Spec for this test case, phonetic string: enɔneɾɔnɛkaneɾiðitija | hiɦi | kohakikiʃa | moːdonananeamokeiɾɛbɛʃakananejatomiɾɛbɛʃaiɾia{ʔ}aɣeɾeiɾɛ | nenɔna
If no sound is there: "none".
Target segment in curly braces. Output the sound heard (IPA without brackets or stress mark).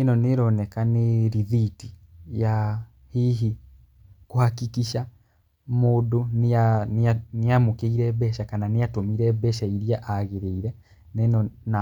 ʔ